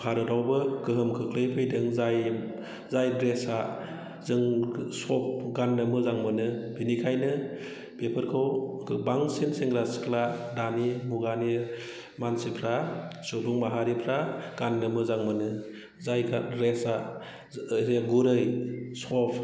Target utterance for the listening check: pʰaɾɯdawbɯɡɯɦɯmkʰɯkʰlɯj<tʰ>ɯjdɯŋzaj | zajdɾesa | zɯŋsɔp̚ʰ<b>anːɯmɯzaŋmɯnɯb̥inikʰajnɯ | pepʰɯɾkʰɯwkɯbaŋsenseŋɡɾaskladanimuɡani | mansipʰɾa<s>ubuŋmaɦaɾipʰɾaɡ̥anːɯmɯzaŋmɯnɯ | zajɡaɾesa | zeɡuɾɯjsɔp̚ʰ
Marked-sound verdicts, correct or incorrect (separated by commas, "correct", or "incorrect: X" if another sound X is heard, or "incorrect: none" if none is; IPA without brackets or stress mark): incorrect: pʰ, incorrect: ɡ, correct